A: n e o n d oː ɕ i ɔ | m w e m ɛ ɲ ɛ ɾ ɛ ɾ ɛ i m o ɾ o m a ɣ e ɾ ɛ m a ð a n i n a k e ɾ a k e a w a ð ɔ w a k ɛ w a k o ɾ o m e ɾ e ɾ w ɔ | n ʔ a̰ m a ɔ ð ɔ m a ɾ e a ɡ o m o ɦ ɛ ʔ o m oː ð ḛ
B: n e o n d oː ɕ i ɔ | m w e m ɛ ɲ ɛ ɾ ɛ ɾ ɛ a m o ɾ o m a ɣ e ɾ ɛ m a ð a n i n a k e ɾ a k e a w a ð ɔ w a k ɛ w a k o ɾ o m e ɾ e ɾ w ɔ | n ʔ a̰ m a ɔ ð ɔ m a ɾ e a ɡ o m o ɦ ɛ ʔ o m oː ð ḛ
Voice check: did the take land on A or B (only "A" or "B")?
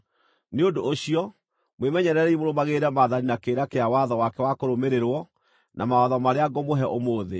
A